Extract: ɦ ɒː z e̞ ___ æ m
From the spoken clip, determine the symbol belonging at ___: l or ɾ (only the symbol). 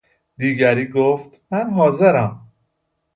ɾ